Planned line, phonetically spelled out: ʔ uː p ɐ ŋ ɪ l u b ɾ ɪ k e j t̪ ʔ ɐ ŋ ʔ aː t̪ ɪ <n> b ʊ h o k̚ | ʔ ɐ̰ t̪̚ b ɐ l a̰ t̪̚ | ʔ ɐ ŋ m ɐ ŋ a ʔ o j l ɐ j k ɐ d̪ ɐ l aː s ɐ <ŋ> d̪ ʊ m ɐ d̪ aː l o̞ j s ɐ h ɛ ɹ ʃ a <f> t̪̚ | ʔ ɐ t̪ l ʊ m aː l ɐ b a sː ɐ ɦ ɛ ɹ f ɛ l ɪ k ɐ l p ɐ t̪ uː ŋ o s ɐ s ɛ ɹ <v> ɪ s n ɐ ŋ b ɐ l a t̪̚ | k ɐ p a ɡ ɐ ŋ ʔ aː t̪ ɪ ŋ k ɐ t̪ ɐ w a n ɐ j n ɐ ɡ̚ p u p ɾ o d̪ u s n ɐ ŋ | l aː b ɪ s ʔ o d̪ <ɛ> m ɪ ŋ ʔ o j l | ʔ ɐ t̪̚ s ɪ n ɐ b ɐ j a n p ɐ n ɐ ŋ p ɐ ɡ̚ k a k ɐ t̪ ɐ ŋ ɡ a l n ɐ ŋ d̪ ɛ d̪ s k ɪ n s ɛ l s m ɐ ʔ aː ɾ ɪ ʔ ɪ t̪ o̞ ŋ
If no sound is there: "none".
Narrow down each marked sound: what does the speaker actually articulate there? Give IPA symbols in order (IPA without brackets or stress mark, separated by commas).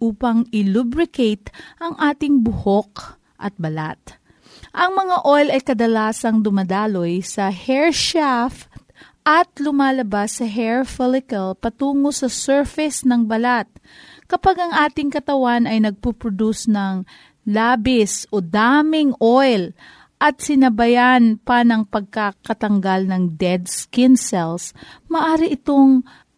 ŋ, ŋ, f, f, a